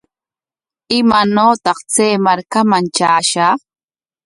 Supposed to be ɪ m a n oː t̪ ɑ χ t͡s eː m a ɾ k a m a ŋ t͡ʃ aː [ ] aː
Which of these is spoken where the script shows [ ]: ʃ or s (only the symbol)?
ʃ